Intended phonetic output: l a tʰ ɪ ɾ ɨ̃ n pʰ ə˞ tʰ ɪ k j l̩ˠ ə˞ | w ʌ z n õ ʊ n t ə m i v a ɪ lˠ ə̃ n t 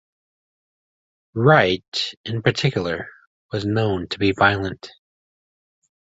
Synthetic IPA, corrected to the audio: ɹ a ɪ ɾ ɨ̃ n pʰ ə˞ tʰ ɪ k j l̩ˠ ə˞ | w ʌ z n õ ʊ̃ n tʰ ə b i v a ɪ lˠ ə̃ n t